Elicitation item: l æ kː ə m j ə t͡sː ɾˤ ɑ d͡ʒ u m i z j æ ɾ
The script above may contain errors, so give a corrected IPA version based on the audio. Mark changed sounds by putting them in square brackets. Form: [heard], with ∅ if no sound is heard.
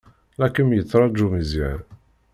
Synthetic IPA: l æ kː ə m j ə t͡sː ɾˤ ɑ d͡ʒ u m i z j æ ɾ